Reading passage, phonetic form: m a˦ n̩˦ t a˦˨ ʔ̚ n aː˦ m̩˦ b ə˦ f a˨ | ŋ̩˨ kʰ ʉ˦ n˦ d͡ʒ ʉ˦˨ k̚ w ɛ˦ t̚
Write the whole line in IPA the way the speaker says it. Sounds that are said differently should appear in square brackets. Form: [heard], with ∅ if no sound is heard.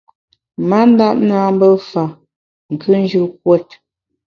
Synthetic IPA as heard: m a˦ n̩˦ [d] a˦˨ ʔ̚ n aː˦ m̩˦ b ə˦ f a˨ | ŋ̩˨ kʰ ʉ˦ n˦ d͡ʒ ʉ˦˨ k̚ w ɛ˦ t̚